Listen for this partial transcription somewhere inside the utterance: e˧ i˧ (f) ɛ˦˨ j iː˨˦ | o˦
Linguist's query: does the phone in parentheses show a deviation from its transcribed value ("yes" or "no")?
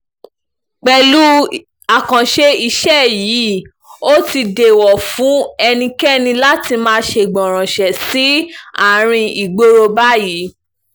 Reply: yes